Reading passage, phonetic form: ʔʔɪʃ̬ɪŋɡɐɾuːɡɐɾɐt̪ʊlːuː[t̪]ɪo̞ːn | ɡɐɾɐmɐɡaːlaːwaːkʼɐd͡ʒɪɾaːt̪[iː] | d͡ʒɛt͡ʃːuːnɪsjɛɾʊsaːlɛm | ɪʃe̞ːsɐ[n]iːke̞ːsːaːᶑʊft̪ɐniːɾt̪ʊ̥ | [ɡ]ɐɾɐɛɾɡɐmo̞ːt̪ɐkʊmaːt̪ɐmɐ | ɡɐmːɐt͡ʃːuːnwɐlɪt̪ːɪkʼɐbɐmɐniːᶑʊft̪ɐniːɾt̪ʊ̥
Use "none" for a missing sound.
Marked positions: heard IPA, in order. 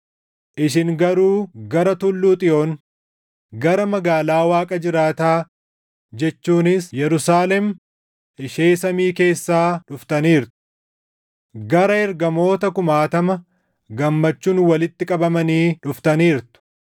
t̪ʼ, aː, m, ɡ

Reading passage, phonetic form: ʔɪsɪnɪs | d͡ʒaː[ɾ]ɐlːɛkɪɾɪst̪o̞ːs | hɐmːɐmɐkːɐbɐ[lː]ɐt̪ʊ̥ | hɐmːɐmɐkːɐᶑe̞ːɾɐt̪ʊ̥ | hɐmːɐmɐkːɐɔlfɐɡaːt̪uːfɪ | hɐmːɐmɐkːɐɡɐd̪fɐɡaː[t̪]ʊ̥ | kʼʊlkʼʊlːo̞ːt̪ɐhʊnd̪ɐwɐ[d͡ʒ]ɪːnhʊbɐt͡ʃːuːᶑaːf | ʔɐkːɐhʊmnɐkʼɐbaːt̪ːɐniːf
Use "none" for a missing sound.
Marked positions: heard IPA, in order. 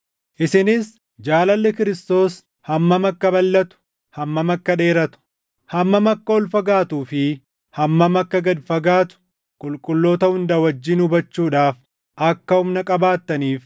l, lː, t̪, d͡ʒː

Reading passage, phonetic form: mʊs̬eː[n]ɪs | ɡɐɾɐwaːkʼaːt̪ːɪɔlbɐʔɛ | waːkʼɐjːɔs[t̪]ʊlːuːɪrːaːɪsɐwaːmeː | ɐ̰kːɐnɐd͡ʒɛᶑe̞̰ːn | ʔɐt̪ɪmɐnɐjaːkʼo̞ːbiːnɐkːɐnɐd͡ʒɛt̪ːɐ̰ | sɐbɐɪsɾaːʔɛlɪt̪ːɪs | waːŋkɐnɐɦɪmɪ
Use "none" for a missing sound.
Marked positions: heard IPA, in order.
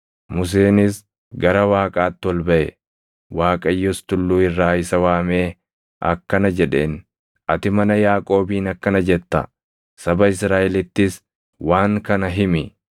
n, t̪

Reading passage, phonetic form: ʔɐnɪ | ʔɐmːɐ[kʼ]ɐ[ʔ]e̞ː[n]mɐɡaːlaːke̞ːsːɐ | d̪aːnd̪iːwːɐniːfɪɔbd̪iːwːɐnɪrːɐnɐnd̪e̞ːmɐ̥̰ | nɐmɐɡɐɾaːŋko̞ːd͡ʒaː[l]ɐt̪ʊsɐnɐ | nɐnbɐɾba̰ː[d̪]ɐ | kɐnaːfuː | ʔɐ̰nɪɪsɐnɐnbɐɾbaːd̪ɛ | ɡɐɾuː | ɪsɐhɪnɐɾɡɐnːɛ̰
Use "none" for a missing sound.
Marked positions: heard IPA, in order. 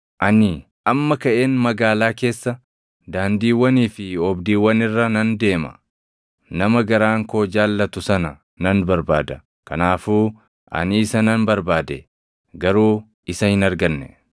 k, ʔ, n, lː, d̪

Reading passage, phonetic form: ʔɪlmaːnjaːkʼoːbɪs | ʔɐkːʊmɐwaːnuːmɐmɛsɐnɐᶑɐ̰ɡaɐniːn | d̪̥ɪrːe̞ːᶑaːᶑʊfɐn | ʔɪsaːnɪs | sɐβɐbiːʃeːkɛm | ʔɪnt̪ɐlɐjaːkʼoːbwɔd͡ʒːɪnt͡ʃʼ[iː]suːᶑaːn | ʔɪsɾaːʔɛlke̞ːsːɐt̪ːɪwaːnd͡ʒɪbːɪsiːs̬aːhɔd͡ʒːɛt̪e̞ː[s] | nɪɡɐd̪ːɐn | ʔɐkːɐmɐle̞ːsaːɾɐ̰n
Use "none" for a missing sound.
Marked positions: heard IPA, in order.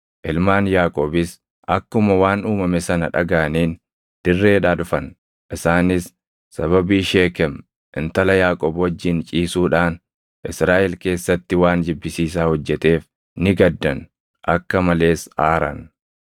iː, f

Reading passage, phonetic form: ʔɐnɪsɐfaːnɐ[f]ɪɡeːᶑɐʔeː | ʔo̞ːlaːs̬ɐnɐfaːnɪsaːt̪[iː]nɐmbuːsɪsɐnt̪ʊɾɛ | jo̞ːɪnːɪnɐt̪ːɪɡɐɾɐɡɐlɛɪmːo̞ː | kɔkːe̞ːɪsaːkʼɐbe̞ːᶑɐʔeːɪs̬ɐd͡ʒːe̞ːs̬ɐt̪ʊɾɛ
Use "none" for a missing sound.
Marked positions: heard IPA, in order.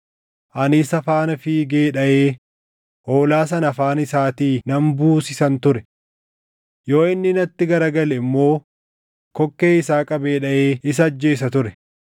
f, iː

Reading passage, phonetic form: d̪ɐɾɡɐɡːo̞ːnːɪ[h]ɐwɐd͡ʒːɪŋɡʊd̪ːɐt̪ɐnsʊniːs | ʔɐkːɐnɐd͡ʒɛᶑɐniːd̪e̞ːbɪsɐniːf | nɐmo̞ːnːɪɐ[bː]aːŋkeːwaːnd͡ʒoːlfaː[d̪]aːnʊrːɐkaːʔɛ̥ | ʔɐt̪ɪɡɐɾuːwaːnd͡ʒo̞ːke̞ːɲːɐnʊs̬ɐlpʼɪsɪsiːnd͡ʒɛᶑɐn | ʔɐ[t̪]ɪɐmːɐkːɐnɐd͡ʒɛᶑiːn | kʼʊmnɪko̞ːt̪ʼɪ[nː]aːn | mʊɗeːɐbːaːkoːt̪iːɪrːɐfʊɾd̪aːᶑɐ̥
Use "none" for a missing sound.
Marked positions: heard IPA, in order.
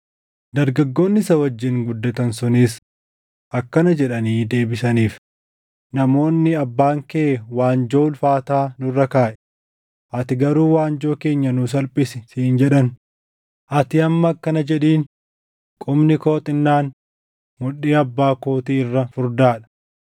s, bː, t̪, t̪, nː

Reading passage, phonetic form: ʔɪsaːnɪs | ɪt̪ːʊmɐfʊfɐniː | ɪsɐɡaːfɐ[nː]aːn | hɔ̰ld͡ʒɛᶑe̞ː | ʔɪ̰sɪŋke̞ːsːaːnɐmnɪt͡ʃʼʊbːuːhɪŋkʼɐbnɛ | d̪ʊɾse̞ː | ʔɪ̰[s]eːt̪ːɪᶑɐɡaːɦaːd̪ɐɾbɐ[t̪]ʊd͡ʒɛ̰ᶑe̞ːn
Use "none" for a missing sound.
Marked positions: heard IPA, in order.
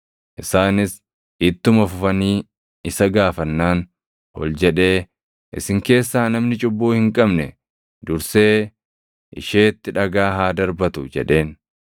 nː, ʃ, t̪

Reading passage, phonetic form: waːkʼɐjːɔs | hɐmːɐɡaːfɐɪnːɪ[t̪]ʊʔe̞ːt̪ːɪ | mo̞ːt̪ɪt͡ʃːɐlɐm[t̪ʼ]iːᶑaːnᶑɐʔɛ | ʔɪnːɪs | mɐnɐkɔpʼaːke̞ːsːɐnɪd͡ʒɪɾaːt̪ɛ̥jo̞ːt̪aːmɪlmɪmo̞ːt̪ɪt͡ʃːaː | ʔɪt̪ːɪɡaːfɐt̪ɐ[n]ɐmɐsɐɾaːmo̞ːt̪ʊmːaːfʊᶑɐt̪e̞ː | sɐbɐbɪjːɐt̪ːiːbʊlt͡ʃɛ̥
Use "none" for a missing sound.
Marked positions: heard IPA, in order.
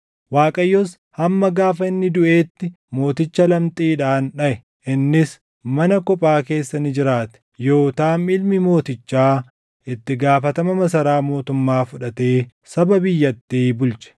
d̪, t̪ʼ, m

